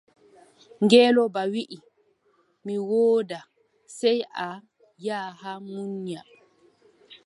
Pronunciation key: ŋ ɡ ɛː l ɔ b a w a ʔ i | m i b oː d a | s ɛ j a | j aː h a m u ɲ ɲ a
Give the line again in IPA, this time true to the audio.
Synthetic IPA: ŋ ɡ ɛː l ɔ b a w i ʔ i | m i w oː d a | s ɛ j a | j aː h a m u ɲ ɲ a